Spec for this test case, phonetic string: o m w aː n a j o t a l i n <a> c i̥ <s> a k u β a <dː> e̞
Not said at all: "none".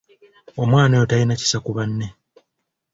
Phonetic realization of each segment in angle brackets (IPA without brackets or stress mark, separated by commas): a, s, nː